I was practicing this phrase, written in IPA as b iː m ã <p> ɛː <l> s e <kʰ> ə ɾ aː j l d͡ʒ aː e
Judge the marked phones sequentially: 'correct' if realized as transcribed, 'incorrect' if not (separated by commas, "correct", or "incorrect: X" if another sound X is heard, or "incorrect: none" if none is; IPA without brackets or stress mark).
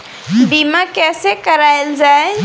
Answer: incorrect: k, incorrect: none, incorrect: k